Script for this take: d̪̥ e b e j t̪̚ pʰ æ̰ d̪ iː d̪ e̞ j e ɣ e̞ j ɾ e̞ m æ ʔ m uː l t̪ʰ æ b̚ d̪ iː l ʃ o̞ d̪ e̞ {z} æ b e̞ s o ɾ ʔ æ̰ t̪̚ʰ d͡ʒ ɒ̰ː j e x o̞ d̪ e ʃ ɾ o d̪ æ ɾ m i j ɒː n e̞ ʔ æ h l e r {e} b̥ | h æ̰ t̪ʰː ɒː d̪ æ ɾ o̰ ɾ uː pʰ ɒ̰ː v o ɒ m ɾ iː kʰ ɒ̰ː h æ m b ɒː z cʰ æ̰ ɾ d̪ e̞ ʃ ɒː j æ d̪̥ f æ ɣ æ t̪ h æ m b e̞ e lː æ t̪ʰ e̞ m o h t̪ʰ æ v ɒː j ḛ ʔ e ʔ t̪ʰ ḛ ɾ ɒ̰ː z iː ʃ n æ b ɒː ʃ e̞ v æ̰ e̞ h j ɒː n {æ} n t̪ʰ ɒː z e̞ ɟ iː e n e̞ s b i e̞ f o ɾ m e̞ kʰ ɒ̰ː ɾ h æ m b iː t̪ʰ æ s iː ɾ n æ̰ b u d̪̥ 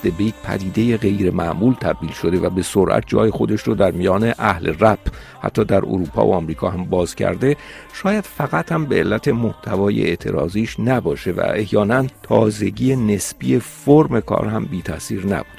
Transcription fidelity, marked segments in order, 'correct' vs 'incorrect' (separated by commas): incorrect, incorrect, correct